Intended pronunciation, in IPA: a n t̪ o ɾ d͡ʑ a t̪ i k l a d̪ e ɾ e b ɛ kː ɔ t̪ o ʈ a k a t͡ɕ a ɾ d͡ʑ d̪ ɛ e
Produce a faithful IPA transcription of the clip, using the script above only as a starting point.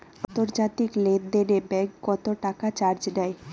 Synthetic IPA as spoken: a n t̪ o ɾ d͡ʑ a t̪ i k l e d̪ e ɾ e b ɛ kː ɔ t̪ o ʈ a k a t͡ɕ a ɾ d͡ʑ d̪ ɛ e

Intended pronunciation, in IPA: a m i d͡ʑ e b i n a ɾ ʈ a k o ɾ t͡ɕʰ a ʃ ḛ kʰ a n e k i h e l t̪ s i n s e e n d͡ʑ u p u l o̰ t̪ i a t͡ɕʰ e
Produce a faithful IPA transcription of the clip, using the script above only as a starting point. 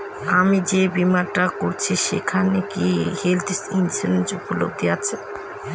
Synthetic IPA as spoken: a m i d͡ʑ e b i m a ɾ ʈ a k o ɾ t͡ɕʰ i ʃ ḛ kʰ a n e k i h e l t̪ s i n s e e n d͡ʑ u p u l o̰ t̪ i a t͡ɕʰ e

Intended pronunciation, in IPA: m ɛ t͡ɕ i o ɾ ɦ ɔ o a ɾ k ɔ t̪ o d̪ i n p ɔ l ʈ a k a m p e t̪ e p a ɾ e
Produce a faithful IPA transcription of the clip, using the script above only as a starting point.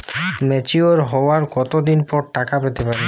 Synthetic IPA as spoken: m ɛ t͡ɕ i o ɾ ɦ ɔ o a ɾ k ɔ t̪ o d̪ i n p ɔ ɾ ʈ a k a p e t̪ e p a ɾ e

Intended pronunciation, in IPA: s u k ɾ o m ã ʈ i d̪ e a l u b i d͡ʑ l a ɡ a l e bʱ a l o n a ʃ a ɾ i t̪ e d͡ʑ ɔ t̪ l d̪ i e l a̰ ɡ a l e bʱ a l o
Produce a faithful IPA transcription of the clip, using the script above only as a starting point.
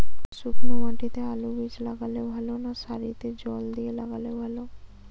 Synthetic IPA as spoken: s u k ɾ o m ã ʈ i t̪ e a l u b i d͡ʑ l a ɡ a l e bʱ a l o n a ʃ a ɾ i t̪ e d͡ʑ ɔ l d̪ i e l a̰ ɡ a l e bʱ a l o

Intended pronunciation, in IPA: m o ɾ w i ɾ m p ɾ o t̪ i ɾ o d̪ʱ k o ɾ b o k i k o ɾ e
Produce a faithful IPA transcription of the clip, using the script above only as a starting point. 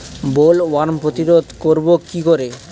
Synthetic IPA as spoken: b o l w a ɾ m p ɾ o t̪ i ɾ o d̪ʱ k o ɾ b o k i k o ɾ e

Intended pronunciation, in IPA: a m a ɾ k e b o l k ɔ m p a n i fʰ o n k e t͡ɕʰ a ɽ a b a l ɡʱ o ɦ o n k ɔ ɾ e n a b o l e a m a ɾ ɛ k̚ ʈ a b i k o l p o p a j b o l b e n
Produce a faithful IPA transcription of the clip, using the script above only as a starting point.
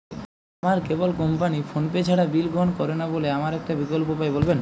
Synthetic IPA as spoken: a m a ɾ k e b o l k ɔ m p a n i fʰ o n p e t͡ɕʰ a ɽ a b i l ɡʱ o ɦ o n k ɔ ɾ e n a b o l e a m a ɾ ɛ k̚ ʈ a b i k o l p o p a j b o l b e n

